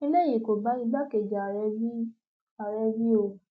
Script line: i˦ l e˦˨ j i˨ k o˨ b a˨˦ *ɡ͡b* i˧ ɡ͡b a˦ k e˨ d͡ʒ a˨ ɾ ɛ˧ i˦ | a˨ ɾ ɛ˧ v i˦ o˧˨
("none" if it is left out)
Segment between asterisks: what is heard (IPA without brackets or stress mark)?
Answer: none